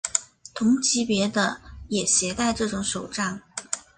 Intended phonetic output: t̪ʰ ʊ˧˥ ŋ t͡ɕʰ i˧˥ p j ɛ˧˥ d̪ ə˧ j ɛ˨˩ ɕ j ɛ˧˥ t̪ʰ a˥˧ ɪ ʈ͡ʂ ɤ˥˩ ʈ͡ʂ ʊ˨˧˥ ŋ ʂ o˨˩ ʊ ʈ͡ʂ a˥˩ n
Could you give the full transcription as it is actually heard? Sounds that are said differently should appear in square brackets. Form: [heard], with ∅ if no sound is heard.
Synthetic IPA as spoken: t̪ʰ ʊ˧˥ ŋ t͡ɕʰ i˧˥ p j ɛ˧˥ d̪ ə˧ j ɛ˨˩ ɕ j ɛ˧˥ [t̪] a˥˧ ɪ ʈ͡ʂ ɤ˥˩ ʈ͡ʂ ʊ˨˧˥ ŋ ʂ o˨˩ ʊ ʈ͡ʂ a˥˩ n